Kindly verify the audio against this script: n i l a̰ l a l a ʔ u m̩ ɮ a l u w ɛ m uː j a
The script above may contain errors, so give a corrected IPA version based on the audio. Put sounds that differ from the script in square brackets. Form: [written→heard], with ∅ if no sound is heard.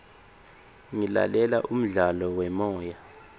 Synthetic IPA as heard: [n→ŋ] i l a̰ l [a→ɛ] l a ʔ u m̩ ɮ a l [u→ɔ] w ɛ m [uː→ɔː] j a